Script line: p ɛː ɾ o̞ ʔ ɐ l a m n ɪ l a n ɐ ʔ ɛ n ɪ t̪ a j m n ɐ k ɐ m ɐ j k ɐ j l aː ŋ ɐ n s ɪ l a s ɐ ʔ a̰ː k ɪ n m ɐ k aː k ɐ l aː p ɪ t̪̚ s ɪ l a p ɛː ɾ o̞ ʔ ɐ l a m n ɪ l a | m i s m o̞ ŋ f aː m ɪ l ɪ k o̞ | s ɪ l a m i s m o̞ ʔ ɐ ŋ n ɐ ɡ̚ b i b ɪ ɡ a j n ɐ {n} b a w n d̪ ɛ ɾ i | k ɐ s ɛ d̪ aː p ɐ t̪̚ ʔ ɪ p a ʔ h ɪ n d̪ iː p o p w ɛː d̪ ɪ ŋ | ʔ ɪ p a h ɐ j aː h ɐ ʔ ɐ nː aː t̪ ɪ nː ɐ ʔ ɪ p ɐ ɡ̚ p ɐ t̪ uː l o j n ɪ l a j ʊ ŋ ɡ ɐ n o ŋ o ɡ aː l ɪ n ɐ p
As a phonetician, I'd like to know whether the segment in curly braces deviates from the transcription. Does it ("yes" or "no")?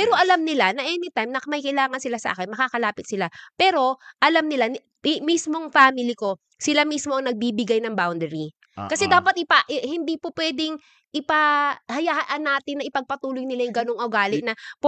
yes